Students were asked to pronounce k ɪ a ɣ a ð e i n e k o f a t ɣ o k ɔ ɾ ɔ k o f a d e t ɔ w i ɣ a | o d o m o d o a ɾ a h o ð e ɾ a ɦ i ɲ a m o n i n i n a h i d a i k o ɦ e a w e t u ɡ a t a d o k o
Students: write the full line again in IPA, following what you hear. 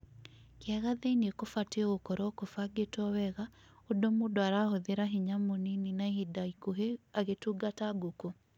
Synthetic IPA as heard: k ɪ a ɣ a ð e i n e k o f a t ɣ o k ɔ ɾ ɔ k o f a ɡ e t ɔ w ɛ ɣ a | o d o m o d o a ɾ a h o ð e ɾ a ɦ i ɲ a m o n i n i n a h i d a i k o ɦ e a ɣ e t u ɡ a t a ɡ o k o